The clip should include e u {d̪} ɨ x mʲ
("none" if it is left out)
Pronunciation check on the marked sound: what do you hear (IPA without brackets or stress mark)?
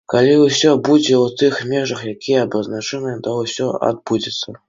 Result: t̪